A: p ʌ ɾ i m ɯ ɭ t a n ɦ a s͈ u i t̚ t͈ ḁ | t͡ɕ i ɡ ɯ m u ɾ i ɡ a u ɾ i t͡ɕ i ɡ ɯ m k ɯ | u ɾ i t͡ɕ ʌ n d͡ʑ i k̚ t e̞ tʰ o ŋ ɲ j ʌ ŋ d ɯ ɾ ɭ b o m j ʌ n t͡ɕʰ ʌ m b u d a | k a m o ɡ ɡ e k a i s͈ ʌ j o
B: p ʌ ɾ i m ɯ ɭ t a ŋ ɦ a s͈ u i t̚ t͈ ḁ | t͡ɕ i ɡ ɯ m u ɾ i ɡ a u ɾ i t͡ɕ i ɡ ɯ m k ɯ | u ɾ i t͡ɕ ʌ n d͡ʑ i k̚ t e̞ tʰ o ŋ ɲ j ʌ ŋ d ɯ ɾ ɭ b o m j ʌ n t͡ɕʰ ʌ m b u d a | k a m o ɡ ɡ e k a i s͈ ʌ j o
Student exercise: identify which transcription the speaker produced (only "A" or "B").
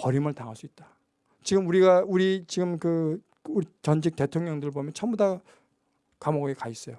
B